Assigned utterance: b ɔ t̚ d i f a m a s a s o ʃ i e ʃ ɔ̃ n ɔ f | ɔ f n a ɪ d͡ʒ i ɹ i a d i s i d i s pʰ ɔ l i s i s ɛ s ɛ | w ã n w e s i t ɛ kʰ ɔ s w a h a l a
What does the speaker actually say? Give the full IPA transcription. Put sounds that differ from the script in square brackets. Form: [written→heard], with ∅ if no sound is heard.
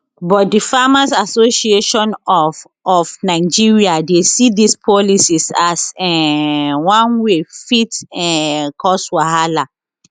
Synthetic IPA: b ɔ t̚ d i f a m a s a s o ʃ i e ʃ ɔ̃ n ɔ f | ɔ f n a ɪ d͡ʒ i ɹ i a d [i→e] s i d i s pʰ ɔ l i s i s [ɛ→a] s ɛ | w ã n w e [s→f] i t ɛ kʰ ɔ s w a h a l a

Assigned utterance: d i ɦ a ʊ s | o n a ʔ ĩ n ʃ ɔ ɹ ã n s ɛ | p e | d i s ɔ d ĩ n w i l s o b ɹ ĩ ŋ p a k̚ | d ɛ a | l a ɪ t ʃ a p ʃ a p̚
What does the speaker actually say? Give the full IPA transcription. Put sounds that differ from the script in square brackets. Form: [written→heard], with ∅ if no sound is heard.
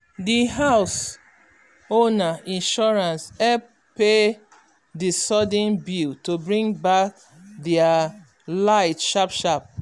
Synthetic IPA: d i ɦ a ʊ s | o n a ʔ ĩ n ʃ ɔ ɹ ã n s ɛ | p e | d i s ɔ d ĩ n [w→b] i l [s→t] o b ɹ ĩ ŋ [p→b] a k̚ | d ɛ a | l a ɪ t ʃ a p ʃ a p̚

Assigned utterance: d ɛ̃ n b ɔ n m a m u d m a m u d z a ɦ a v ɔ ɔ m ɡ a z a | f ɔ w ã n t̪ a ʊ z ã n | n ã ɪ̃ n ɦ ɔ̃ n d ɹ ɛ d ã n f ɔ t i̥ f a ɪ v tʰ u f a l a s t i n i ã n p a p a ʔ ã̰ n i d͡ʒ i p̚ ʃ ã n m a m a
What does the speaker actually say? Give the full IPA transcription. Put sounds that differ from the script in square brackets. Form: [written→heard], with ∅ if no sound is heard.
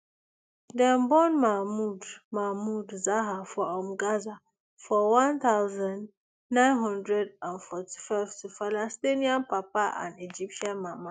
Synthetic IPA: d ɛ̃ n b ɔ n m a m u d m a m u d z a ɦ a [v→f] ɔ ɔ m ɡ a z a | f ɔ w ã n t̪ a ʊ z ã n | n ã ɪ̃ n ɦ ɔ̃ n d ɹ ɛ d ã n f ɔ t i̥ f a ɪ v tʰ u f a l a s t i n i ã n p a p a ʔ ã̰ n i d͡ʒ i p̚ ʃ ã n m a m a

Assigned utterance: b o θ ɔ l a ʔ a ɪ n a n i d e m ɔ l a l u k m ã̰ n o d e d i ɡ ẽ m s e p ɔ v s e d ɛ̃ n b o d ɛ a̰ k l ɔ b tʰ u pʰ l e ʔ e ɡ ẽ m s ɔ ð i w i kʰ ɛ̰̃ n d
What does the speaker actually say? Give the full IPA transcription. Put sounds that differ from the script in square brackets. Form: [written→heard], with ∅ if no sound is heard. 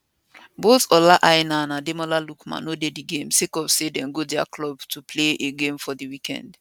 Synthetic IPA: b o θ ɔ l a ʔ a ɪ n a n [i→a] d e m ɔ l a l u k m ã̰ n o d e d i ɡ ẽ m s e [p→k] ɔ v s e d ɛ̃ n [b→ɡ] o d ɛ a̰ k l ɔ b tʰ u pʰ l e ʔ e ɡ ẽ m [s→f] ɔ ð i w i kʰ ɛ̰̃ n d

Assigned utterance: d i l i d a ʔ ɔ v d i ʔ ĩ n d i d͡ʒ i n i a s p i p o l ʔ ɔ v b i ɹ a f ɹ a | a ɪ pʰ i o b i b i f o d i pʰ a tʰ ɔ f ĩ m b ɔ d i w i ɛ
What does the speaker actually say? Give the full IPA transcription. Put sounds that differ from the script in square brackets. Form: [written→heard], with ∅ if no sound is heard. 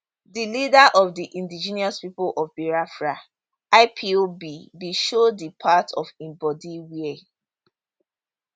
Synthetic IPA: d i l i d a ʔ ɔ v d i ʔ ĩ n d i d͡ʒ i n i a s p i p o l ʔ ɔ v b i ɹ a f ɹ a | a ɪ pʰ i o b i b i [f→ʃ] o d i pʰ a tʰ ɔ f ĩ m b ɔ d i w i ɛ

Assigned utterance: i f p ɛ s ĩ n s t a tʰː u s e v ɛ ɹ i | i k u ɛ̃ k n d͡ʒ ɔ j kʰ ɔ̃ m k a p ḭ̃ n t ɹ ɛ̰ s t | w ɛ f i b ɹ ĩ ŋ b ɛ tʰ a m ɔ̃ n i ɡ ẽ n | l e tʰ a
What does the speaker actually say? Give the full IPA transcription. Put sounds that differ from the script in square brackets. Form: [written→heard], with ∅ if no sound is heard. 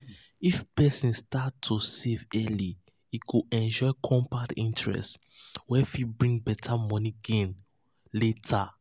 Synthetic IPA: i f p ɛ s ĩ n s t a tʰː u s e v ɛ [ɹ→l] i | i k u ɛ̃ [k→∅] n d͡ʒ ɔ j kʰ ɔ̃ m [k→p] a [p→t] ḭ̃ n t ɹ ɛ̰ s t | w ɛ f i b ɹ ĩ ŋ b ɛ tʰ a m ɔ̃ n i ɡ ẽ n | l e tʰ a

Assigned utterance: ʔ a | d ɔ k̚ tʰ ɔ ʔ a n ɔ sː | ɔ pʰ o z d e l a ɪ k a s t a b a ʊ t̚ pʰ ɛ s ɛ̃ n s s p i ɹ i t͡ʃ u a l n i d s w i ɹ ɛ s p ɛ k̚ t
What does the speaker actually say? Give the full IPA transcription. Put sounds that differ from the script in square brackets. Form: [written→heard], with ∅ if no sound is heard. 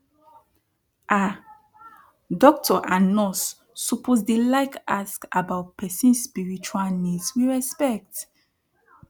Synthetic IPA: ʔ a | d ɔ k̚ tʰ ɔ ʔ a n ɔ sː | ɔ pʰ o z d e l a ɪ k a s [t→k] a b a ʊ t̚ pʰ ɛ s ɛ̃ n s s p i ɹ i t͡ʃ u a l n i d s w i ɹ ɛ s p ɛ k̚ t

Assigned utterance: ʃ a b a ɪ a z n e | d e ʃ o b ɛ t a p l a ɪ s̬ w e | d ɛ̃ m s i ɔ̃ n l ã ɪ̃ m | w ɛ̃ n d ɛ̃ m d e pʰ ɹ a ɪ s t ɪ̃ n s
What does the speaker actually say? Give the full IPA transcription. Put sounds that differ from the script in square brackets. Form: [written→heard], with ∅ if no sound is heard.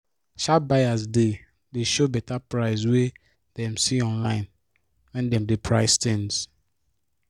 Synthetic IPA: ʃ a b a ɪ a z [n→d] e | d e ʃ o b ɛ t a p [l→ɹ] a ɪ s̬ w e | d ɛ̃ m s i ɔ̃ n l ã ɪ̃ [m→n] | w ɛ̃ n d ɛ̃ m d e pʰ ɹ a ɪ s t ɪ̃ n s

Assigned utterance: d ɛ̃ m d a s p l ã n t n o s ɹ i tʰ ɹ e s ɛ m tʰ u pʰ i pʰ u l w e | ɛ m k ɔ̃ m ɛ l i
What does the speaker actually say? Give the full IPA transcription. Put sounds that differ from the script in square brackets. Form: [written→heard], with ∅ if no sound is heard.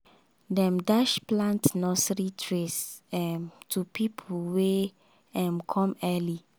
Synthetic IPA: d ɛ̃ m d a [s→ʃ] p l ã n t n [o→ɔ] s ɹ i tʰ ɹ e s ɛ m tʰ u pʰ i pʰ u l w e | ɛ m [k→kʰ] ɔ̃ m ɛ l i

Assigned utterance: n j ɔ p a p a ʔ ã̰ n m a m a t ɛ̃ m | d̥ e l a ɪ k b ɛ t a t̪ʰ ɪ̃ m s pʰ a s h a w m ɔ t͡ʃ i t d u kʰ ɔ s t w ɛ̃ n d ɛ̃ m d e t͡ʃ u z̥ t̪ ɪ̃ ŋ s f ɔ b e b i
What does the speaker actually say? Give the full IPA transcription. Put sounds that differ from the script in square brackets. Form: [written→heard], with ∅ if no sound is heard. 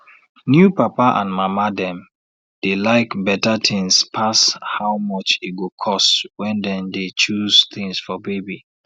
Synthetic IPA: n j [ɔ→u] p a p a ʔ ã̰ n m a m a [t→d] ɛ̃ m | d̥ e l a ɪ k b ɛ t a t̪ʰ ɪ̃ [m→ŋ] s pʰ a s h a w m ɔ t͡ʃ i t [d→ɡ] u kʰ ɔ s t w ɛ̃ n d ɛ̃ [m→n] d e t͡ʃ u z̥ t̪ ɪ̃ ŋ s f ɔ b e b i

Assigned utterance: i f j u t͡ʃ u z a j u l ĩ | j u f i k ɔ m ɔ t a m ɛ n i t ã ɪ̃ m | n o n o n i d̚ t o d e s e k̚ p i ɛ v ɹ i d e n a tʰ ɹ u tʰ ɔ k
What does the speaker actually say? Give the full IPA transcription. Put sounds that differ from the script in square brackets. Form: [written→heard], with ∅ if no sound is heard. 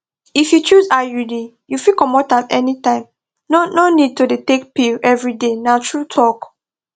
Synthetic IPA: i f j u t͡ʃ u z a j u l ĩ | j u f i k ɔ m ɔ t a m ɛ n i t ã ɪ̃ m | n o n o n i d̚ t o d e [s→t] e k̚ p i ɛ v ɹ i d e n a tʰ ɹ u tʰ ɔ k

